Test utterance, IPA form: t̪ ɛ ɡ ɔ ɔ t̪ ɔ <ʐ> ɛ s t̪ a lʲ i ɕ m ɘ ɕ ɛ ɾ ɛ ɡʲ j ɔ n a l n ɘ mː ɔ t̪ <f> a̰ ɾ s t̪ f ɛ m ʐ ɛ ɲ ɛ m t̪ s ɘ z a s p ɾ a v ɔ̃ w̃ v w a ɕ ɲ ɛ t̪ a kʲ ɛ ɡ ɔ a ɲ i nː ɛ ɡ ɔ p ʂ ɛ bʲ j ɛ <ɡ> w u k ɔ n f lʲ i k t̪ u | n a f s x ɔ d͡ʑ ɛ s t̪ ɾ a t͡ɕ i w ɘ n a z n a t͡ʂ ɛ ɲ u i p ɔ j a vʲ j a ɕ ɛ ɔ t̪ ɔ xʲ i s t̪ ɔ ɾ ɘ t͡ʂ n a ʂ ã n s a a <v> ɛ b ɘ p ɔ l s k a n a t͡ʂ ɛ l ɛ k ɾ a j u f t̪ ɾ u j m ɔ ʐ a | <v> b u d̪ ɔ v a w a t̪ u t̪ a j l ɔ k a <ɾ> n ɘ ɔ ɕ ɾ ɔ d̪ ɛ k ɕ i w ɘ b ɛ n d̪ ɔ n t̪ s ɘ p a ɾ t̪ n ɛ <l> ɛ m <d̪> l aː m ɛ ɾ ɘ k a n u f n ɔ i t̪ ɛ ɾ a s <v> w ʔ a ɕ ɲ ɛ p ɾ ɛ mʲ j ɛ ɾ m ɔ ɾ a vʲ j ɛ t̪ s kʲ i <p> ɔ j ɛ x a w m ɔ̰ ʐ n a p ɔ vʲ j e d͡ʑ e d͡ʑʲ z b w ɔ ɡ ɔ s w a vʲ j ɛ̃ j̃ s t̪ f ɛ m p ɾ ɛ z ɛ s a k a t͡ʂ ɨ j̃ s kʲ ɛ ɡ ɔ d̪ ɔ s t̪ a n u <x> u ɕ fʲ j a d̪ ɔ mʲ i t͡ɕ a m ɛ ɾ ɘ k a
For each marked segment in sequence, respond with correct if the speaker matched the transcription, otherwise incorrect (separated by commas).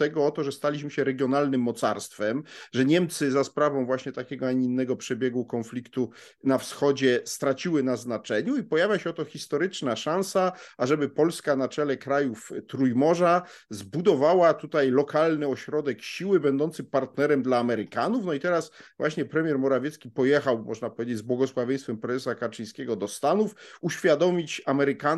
correct, incorrect, correct, incorrect, incorrect, incorrect, incorrect, correct, correct, correct, incorrect